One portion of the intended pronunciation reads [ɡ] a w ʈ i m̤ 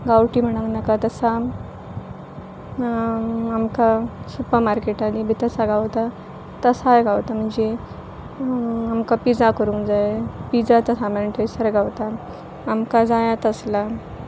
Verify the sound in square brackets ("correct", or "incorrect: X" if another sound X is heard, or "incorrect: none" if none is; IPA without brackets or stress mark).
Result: correct